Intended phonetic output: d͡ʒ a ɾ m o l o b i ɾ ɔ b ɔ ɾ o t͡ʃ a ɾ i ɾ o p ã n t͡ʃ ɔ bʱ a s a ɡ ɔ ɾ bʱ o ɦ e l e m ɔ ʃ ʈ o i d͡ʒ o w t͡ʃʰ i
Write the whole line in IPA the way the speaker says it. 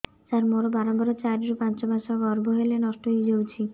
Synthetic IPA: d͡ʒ a ɾ m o ɾ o b a ɾ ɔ b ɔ ɾ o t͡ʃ a ɾ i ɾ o p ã n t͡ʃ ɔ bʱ a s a ɡ ɔ ɾ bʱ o ɦ e l e n ɔ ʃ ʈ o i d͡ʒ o w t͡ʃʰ i